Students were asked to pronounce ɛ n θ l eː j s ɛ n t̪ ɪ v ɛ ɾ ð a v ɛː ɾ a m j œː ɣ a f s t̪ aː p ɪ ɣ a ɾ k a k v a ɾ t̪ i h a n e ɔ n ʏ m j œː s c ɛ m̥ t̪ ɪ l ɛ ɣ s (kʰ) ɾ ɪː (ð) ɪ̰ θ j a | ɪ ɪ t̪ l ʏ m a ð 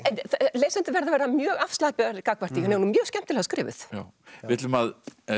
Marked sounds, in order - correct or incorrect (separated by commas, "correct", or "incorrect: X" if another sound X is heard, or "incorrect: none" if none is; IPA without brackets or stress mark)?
incorrect: k, incorrect: v